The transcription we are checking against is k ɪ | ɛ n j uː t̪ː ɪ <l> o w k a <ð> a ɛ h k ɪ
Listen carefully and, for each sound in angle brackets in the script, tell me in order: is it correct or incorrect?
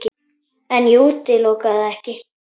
correct, correct

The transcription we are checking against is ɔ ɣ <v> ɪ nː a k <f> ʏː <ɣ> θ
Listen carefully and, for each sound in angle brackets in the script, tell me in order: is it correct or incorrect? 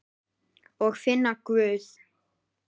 incorrect, incorrect, incorrect

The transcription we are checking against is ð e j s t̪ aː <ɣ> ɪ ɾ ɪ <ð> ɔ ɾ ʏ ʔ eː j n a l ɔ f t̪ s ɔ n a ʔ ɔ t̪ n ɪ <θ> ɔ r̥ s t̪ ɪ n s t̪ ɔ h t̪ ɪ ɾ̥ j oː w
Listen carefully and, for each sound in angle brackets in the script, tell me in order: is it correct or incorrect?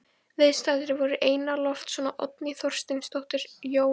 incorrect, incorrect, correct

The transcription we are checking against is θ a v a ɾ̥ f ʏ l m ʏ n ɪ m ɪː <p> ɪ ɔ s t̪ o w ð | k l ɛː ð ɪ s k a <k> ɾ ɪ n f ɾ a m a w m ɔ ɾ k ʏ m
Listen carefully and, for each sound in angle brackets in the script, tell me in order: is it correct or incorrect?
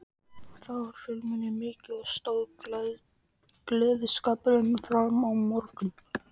incorrect, incorrect

